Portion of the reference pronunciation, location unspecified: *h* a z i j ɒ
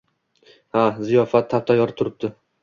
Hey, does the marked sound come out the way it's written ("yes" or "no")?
yes